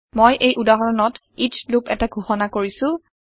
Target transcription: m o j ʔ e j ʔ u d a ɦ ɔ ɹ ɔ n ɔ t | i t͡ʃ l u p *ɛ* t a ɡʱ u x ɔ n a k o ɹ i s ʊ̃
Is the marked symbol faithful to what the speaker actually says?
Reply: yes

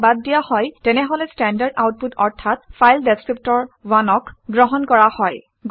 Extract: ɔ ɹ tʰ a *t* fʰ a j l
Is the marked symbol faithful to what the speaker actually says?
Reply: yes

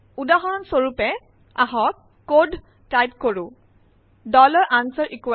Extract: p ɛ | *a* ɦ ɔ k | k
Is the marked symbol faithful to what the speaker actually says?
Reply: yes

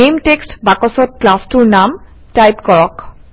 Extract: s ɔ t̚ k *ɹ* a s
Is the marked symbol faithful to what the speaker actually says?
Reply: no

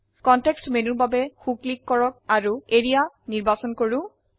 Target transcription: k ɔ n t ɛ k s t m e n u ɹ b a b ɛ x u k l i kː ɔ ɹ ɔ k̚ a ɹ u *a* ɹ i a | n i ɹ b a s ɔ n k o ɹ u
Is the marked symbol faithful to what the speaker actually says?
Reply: no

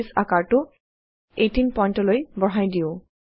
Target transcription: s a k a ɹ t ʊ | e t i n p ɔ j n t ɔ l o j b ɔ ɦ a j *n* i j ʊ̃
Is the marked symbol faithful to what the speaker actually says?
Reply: no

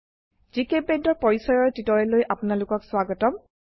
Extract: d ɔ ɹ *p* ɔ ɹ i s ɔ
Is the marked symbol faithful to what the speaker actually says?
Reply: yes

